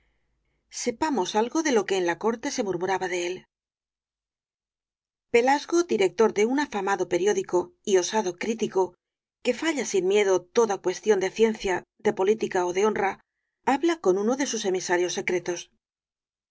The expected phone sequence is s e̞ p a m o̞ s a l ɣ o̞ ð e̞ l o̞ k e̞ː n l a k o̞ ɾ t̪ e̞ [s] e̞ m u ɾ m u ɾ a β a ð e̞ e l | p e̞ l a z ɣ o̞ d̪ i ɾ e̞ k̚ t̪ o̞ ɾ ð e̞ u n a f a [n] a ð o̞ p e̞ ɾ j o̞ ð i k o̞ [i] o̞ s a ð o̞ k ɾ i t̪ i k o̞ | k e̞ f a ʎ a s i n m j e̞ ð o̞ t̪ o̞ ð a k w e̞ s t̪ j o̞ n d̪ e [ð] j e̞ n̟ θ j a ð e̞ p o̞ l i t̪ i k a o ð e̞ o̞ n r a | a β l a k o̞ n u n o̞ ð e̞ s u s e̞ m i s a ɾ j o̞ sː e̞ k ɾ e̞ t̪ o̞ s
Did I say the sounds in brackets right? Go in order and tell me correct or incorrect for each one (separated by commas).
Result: correct, incorrect, correct, incorrect